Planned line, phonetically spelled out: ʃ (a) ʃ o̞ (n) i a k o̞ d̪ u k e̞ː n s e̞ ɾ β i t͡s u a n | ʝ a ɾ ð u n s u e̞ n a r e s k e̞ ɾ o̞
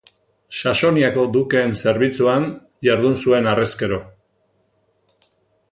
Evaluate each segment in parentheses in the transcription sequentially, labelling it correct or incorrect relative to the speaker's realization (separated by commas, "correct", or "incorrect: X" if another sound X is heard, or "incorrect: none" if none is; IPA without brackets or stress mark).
correct, correct